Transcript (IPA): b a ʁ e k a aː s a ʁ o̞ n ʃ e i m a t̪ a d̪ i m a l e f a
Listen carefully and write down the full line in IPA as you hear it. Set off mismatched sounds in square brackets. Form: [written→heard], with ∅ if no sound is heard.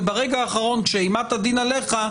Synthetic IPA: b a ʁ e [k→ɡ] a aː [s→χ] a ʁ o̞ n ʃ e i m a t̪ a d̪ i [m→n] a l e [f→χ] a

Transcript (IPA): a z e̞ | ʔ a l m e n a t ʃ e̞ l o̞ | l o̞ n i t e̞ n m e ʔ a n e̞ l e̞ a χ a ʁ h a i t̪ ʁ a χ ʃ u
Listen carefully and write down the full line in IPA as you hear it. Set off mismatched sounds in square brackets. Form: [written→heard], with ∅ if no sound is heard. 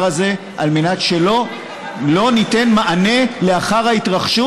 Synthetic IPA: a z e̞ | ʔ a l m e n a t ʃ e̞ l o̞ | l o̞ n i t e̞ n m [e→a] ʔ a n e̞ l e̞ a χ a ʁ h a i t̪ ʁ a χ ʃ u

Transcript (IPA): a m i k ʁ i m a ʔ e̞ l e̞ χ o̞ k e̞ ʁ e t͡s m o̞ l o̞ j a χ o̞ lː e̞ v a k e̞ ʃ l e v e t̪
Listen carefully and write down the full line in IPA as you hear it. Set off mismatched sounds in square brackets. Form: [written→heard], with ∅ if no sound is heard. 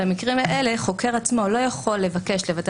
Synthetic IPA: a m i k ʁ i m a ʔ e̞ l e̞ χ o̞ k e̞ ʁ [e→a] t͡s m o̞ l o̞ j a χ o̞ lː e̞ v a k e̞ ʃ l e v [e→a] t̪

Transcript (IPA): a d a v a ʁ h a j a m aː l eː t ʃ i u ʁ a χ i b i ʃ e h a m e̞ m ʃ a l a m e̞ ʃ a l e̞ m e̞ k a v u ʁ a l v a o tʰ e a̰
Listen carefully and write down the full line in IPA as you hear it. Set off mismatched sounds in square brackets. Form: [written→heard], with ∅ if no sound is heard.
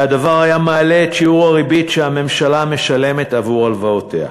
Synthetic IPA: a d a v a ʁ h a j a m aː l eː t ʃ i u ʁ a [χ→ʁ] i b i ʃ e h a m e̞ m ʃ a l a m e̞ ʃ a l e̞ m e̞ [k→t] a v u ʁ a l v a o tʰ e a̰

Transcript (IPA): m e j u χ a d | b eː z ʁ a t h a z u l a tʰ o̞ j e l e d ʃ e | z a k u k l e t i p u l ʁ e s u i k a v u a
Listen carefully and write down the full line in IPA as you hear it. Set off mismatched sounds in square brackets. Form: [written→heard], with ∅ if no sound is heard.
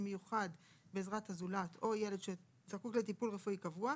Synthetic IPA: m e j u χ a d | b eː z ʁ a t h a z u l a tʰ o̞ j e l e d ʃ e | z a k u k l e t i p u l ʁ e [s→f] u i k a v u a

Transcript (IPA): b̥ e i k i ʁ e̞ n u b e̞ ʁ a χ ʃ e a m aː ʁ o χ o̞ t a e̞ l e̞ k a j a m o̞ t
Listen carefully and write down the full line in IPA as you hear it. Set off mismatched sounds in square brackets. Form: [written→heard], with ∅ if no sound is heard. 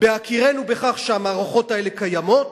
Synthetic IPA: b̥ e [i→a] k i ʁ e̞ n u b e̞ [ʁ→χ] a χ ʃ e a m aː ʁ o χ o̞ t a e̞ l e̞ k a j a m o̞ t

